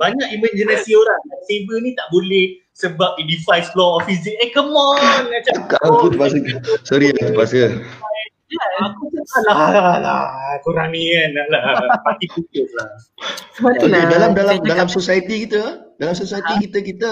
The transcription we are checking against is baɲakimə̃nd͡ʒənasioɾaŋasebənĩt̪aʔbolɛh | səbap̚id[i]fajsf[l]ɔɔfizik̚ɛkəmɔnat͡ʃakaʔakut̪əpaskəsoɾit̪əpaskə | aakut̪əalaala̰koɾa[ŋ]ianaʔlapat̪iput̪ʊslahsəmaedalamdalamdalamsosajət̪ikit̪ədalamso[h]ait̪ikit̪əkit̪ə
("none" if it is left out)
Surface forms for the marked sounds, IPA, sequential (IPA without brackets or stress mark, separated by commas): i, l, n, s